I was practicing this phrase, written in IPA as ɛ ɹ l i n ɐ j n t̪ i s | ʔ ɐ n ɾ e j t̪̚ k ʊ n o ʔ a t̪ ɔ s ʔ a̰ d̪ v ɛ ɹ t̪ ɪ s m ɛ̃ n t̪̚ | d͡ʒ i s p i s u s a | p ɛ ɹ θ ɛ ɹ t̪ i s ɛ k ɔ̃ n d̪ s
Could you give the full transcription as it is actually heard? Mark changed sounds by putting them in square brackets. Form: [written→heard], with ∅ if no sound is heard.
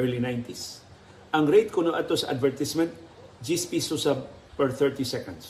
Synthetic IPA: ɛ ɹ l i n [ɐ→a] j n t̪ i s | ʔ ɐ [n→ŋ] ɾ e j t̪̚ k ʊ n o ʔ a t̪ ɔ s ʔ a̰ d̪ v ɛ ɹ t̪ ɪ s m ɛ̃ n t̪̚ | d͡ʒ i s p i s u s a | p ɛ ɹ θ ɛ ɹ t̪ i s ɛ k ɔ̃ n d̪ s